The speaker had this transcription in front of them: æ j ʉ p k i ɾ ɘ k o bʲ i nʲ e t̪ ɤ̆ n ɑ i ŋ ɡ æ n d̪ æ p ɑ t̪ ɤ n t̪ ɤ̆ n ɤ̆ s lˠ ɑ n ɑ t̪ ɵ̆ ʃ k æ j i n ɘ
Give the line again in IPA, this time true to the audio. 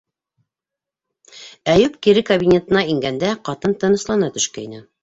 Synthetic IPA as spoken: æ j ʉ p k i ɾ ɘ k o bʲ i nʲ e t̪ ɤ̆ n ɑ i ŋ ɡ æ n d̪ æ q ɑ t̪ ɤ n t̪ ɤ̆ n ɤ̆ s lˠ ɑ n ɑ t̪ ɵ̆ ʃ k æ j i n ɘ